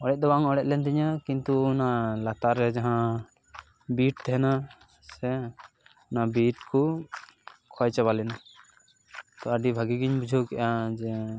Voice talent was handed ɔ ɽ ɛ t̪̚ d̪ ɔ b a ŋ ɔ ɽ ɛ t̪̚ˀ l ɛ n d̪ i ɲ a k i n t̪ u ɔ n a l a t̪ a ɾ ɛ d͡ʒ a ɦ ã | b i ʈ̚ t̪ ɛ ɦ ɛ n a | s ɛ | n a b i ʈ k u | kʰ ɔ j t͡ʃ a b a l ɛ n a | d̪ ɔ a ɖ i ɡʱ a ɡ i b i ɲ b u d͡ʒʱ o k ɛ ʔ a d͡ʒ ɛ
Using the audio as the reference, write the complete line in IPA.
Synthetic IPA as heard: ɔ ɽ ɛ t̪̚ d̪ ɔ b a ŋ ɔ ɽ ɛ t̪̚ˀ l ɛ n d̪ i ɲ a k i n t̪ u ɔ n a l a t̪ a ɾ ɛ d͡ʒ a ɦ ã | b i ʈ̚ t̪ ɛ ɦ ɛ n a | s ɛ | n a b i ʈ k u | kʰ ɔ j t͡ʃ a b a l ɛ n a | t̪ ɔ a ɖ i bʱ a ɡ i ɡ i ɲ b u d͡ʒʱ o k ɛ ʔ a d͡ʒ ɛ